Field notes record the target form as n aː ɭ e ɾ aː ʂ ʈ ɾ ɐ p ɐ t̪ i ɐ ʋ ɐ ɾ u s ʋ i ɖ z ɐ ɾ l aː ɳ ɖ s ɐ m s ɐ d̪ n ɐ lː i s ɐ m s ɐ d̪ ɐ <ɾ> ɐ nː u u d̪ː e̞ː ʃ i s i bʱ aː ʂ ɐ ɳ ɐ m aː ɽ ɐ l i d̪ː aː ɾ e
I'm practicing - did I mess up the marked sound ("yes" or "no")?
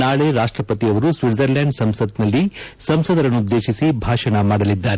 no